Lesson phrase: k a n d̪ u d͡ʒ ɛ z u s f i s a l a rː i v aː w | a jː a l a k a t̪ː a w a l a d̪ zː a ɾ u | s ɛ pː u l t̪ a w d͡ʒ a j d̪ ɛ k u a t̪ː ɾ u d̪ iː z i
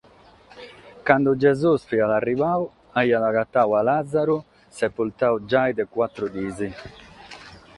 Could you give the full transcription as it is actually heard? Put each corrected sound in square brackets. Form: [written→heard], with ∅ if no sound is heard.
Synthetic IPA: k a n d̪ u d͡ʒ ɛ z u s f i [s→∅] a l a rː i v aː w | a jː a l a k a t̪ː a w a l a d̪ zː a ɾ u | s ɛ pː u l t̪ a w d͡ʒ a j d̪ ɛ k [u→w] a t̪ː ɾ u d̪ iː z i